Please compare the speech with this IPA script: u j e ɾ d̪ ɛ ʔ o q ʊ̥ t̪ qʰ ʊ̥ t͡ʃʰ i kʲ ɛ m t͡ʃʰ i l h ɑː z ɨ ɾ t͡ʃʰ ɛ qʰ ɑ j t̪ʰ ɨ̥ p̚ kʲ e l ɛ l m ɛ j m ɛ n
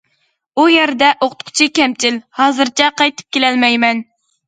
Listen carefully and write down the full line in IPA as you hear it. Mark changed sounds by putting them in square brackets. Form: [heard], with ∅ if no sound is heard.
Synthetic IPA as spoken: u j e ɾ d̪ ɛ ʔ o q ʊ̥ t̪ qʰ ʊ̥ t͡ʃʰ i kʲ ɛ m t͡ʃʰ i l h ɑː z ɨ ɾ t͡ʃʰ ɛ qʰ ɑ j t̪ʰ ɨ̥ p̚ kʲ e l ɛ l m ɛ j m ɛ n